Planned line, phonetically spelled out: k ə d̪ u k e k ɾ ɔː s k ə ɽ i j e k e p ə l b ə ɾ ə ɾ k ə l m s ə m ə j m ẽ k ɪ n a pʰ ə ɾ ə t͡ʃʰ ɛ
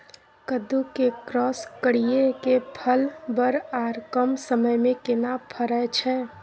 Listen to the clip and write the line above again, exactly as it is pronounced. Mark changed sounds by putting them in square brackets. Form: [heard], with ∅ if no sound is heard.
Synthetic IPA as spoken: k ə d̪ u k e k ɾ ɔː s k ə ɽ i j e k e [pʰ] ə l b ə ɾ [a] ɾ k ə [∅] m s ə m ə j m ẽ k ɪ n a pʰ ə ɾ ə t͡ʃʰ ɛ